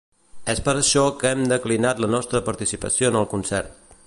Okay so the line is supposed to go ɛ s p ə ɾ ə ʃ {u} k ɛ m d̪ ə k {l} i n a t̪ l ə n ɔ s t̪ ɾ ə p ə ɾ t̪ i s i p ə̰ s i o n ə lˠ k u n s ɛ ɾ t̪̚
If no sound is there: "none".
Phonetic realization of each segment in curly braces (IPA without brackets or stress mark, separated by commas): ɔ, l